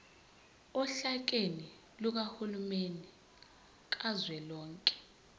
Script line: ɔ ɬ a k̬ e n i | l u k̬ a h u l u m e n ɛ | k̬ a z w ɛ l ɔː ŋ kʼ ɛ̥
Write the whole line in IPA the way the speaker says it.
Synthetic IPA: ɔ ɬ a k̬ e n i | l u k̬ a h u l u m e n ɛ | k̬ a z w ɛ l ɔː ŋ kʼ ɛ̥